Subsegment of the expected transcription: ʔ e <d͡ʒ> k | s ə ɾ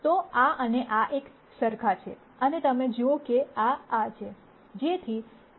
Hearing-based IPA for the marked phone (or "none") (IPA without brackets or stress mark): none